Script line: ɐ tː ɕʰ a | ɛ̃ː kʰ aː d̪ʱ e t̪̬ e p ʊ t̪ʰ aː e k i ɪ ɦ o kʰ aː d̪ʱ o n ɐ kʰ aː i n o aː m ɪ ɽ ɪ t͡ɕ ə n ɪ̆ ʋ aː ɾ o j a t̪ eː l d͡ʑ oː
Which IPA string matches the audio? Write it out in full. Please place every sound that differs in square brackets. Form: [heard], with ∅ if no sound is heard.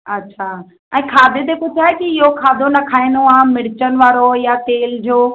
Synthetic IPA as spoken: ɐ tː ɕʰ a | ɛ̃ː kʰ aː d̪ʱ e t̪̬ e p ʊ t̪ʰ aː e k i ɪ ɦ o kʰ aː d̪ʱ o n ɐ kʰ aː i n o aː m ɪ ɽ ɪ t͡ɕ ə n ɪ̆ ʋ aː ɾ o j a t̪ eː l d͡ʑ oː